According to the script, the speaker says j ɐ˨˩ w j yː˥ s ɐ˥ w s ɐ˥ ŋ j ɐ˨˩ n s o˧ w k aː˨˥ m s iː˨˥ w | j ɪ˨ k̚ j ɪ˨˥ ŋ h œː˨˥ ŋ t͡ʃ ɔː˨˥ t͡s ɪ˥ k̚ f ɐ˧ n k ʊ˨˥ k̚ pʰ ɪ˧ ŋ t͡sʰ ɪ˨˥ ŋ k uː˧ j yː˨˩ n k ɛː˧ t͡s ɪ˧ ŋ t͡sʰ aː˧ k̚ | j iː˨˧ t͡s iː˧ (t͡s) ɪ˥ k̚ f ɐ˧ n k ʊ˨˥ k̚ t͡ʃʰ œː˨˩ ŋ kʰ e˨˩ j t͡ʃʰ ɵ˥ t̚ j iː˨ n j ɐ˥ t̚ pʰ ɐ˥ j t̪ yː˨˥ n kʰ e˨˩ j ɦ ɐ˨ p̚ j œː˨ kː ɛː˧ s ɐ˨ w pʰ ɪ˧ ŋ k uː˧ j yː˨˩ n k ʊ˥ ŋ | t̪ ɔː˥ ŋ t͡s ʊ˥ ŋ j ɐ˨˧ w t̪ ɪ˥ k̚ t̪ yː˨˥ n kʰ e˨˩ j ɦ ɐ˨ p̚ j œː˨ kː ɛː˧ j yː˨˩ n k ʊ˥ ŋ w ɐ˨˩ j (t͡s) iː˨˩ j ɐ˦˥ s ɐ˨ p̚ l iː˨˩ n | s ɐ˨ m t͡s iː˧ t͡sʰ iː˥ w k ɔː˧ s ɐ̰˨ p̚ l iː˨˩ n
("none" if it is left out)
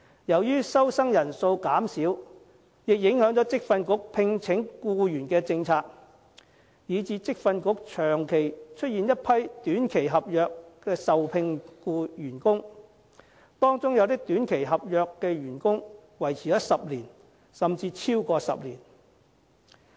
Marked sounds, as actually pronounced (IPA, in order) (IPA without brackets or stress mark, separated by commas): t͡s, t͡sʰ